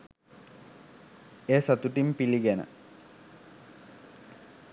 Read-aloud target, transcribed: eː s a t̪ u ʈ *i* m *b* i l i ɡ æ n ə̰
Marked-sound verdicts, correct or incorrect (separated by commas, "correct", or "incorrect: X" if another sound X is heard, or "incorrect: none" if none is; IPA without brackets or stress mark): correct, incorrect: p